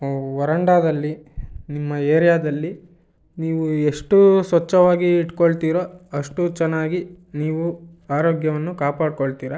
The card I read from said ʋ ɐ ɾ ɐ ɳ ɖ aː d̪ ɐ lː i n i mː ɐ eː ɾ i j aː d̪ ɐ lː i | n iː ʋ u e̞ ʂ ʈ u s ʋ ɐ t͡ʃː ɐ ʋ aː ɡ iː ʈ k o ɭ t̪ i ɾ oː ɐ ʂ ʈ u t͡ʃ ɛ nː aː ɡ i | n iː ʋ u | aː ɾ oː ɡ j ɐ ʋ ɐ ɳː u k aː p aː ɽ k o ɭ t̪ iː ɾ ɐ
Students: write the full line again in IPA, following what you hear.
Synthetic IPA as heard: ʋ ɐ ɾ ɐ ɳ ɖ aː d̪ ɐ lː i n i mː ɐ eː ɾ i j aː d̪ ɐ lː i | n iː ʋ u e̞ ʂ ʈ u s ʋ ɐ t͡ʃː ɐ ʋ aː ɡ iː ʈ k o ɭ t̪ iː ɾ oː ɐ ʂ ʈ u t͡ʃ ɛ nː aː ɡ i | n iː ʋ u | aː ɾ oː ɡ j ɐ ʋ ɐ nː u k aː p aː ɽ k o ɭ t̪ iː ɾ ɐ

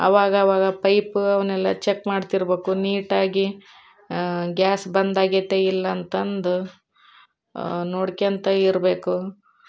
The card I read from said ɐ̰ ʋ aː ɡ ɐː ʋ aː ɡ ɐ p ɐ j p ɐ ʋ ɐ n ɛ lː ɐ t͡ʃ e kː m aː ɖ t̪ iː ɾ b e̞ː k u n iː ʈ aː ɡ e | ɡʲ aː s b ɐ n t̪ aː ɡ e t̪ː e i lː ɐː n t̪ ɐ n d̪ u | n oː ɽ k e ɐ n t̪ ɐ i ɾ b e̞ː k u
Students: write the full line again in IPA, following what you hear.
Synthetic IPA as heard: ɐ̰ ʋ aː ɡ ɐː ʋ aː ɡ ɐ p ɐ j p ɐ ʋ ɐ n ɛ lː ɐ t͡ʃ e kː m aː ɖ t̪ i ɾ b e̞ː k u n iː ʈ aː ɡ i | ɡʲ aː s b ɐ n d̪ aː ɡ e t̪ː e i lː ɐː n t̪ ɐ n d̪ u | n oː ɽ k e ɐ n t̪ ɐ i ɾ b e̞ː k u

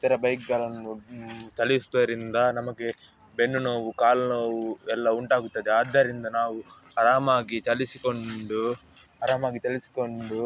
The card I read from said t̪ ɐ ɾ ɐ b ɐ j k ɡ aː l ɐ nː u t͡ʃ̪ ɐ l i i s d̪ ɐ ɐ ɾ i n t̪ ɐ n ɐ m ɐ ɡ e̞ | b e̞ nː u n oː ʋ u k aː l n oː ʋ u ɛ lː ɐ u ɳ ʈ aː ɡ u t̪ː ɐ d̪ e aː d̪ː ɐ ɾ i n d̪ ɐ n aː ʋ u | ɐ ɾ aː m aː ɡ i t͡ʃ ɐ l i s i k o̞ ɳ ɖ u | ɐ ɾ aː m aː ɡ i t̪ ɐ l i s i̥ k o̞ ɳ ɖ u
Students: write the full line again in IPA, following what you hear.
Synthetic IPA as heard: t̪ ɐ ɾ ɐ b ɐ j k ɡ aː l ɐ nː u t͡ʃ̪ ɐ l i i s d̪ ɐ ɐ ɾ i n d̪ ɐ n ɐ m ɐ ɡ e̞ | b e̞ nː u n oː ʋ u k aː l n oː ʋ u ɛ lː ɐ u ɳ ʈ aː ɡ u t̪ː ɐ d̪ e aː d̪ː ɐ ɾ i n d̪ ɐ n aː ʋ u | ɐ ɾ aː m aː ɡ i t͡ʃ ɐ l i s i k o̞ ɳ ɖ u | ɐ ɾ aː m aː ɡ i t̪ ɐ l i s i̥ k o̞ ɳ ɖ u

